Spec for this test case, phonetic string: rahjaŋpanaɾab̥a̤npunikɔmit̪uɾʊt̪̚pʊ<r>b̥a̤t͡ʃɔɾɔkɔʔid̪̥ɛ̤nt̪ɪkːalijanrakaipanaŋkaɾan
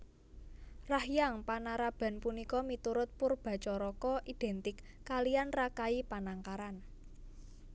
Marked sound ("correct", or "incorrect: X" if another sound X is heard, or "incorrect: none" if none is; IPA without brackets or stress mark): correct